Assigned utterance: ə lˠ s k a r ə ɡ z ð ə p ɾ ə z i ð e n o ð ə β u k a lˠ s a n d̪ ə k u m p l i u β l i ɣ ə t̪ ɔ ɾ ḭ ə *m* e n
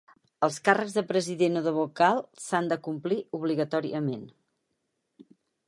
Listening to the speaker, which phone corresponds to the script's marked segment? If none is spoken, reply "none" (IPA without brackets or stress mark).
m